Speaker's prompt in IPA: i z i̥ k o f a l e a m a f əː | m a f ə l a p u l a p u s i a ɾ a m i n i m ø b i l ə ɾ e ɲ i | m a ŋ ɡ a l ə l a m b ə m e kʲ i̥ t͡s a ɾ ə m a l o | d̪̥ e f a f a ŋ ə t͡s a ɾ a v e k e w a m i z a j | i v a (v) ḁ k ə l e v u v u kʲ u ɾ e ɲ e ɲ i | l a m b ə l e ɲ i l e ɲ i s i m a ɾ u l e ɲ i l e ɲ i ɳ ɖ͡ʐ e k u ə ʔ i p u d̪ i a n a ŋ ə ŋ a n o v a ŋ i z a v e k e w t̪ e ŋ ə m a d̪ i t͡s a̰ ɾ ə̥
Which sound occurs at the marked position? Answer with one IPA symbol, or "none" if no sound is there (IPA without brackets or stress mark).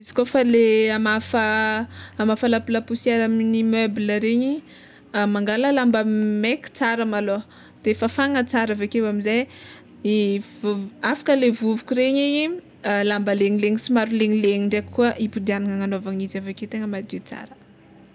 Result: f